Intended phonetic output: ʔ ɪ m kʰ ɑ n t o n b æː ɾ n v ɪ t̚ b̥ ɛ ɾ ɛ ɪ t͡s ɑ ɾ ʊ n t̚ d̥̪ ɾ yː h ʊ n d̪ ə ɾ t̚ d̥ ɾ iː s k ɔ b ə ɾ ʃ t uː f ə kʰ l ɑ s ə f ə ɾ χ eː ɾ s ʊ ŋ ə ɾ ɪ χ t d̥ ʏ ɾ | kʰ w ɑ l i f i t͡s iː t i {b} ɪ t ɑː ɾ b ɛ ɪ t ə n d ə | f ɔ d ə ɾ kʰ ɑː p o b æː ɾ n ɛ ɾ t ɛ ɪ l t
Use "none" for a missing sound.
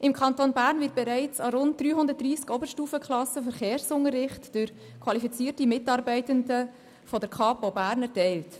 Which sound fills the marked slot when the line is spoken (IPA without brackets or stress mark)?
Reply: m